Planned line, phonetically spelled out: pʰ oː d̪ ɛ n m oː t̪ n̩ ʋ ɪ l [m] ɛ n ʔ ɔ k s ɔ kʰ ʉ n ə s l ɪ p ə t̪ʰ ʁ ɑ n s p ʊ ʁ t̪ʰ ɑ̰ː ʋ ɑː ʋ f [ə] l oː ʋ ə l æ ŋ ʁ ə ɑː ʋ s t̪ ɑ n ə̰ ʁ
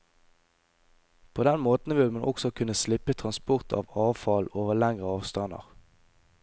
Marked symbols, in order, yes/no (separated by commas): yes, no